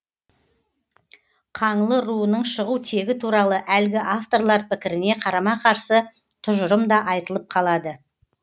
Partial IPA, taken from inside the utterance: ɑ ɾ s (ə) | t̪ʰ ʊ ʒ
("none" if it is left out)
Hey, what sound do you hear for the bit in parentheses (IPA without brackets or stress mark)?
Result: ə